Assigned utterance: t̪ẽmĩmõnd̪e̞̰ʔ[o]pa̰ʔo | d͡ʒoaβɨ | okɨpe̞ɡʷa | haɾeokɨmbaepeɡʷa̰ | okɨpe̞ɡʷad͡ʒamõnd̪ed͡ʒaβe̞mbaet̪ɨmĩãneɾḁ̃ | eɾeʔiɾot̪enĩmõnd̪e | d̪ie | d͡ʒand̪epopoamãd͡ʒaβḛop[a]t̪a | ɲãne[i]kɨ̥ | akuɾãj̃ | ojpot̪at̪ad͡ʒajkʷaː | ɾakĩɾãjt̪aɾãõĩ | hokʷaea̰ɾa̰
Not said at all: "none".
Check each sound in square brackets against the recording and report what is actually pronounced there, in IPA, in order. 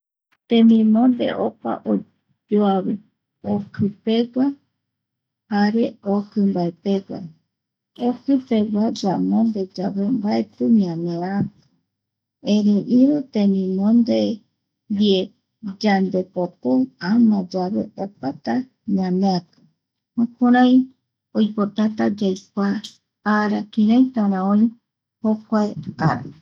o, a, a

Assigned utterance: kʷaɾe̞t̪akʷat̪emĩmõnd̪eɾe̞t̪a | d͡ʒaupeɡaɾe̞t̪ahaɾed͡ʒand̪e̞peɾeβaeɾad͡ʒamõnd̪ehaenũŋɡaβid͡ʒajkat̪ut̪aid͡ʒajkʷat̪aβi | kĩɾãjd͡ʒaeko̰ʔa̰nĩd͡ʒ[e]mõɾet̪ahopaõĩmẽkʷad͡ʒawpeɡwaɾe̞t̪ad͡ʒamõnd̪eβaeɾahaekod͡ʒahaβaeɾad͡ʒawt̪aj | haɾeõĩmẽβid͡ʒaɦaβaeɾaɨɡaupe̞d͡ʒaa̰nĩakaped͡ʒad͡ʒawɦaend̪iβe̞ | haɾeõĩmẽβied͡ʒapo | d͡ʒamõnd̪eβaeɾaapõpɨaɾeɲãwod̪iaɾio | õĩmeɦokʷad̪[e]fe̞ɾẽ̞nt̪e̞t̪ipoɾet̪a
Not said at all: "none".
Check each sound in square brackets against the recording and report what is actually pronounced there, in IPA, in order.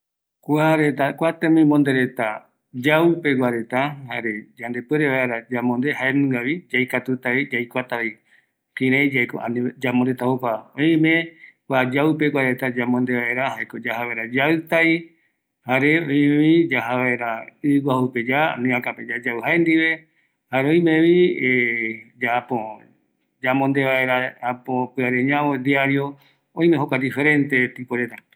a, i

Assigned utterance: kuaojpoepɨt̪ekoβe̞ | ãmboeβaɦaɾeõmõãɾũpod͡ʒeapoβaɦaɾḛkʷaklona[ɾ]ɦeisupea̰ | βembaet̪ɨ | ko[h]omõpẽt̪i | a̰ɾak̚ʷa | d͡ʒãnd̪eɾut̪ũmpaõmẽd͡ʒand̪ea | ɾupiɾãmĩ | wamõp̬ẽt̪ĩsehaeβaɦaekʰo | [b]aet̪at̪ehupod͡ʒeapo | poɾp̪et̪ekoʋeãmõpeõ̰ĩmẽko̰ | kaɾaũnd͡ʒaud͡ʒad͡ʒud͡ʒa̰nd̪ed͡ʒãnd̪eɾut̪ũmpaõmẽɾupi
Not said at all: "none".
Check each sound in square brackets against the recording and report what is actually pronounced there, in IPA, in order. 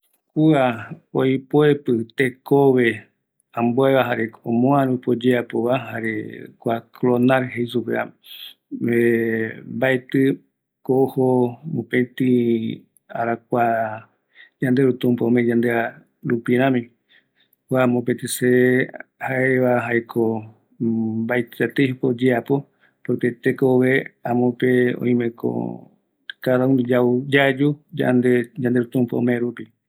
ɾ, h, b

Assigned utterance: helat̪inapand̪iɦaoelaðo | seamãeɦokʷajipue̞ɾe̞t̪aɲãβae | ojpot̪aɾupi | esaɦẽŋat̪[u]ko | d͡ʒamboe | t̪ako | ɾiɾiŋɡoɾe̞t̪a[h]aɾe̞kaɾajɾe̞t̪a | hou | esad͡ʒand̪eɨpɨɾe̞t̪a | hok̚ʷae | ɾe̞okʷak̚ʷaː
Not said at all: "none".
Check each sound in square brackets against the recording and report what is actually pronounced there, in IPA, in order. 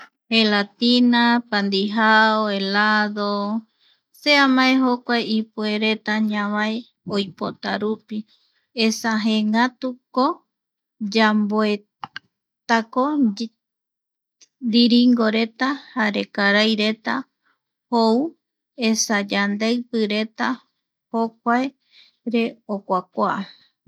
u, h

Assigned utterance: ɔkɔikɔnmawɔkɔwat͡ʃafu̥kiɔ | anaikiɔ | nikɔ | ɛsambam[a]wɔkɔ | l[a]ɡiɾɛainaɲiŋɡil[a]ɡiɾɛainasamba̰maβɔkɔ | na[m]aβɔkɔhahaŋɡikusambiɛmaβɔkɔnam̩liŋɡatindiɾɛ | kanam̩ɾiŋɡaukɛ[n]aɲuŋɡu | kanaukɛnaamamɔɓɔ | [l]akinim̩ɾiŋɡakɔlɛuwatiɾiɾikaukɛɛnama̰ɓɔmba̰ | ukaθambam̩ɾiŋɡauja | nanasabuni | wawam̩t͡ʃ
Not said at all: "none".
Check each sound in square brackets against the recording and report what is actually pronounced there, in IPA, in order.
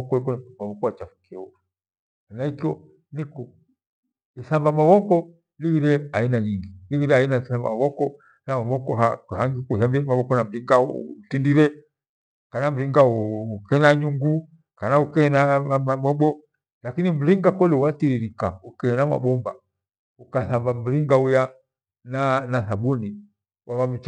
a, i, i, m, n, l

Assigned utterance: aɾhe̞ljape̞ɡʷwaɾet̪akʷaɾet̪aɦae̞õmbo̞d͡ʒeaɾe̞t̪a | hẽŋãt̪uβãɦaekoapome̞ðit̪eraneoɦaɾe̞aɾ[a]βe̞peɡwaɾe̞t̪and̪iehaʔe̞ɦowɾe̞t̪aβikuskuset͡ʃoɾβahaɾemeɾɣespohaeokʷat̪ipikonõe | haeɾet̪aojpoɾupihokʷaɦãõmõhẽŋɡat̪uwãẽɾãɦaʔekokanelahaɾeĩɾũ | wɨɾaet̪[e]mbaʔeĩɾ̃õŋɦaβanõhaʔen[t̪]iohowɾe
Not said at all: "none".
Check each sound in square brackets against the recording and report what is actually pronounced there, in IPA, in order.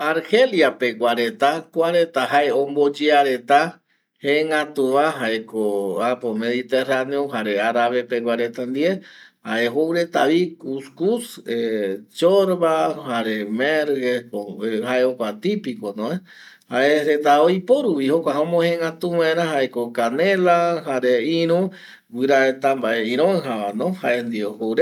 a, a, d̪

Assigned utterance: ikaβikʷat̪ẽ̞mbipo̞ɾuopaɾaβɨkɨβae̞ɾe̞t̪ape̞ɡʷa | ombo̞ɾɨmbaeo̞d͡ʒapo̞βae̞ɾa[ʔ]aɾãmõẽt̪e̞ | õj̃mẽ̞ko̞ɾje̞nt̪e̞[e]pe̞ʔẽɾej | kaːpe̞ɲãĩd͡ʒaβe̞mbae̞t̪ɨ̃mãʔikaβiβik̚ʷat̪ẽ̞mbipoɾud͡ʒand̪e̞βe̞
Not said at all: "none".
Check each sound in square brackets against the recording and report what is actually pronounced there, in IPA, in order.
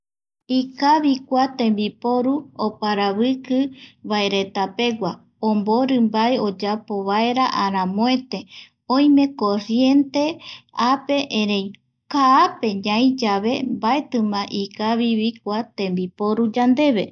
ʔ, a

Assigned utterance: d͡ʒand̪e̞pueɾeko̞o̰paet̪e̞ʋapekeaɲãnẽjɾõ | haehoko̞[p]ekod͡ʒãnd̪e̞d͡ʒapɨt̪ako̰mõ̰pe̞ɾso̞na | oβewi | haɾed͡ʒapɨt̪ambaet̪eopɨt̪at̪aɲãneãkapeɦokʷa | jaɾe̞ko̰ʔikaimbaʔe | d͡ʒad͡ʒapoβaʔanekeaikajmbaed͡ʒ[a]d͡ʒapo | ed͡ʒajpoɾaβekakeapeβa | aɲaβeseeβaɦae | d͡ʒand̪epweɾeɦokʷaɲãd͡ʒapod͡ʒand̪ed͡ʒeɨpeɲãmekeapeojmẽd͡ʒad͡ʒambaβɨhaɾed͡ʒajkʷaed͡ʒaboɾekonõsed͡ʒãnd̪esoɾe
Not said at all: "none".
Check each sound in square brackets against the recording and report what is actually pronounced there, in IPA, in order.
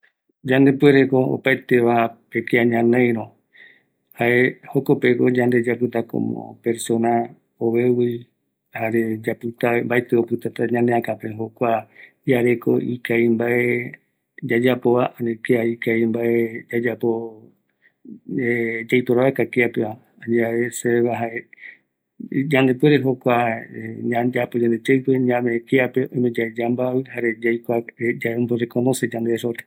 p, a

